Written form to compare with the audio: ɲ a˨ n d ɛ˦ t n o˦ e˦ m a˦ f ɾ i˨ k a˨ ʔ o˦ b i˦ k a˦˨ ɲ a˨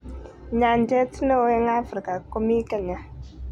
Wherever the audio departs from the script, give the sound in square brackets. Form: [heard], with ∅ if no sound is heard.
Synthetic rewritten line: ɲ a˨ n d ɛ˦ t n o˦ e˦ [ŋ] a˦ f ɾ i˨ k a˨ [k] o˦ [m] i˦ k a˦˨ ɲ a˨